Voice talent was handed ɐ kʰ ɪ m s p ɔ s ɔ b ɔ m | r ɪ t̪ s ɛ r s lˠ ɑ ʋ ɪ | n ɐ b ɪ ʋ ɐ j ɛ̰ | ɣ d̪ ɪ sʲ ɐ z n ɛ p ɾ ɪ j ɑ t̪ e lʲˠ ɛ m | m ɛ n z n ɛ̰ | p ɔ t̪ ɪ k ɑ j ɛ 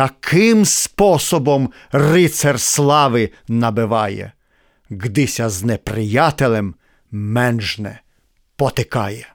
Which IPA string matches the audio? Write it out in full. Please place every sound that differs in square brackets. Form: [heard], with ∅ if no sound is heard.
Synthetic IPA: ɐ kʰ ɪ m s p ɔ s ɔ b ɔ m | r ɪ t̪ s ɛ r s lˠ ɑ ʋ ɪ | n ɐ b ɪ ʋ [ɑ] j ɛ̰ | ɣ d̪ ɪ sʲ ɐ z n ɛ p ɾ ɪ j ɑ t̪ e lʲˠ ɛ m | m ɛ n [ʒ] n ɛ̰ | p ɔ t̪ ɪ k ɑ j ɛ